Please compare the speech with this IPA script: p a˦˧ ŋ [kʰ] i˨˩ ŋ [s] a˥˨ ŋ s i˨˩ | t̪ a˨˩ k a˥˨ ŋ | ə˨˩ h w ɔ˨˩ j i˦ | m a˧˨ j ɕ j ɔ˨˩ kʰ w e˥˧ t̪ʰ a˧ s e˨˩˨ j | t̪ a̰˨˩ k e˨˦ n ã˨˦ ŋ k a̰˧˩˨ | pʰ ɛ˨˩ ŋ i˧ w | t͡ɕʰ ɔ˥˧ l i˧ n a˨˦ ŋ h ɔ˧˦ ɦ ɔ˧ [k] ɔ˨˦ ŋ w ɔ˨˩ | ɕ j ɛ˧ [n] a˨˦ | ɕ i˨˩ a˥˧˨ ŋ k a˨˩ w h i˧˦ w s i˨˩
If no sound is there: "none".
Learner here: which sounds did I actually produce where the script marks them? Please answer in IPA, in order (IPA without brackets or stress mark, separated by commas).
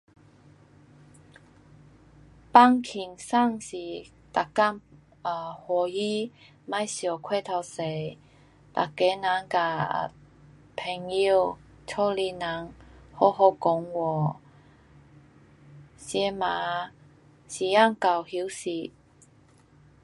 kʰ, s, k, m